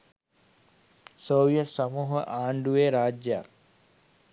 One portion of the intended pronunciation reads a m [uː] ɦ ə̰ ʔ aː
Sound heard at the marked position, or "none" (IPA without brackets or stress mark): uː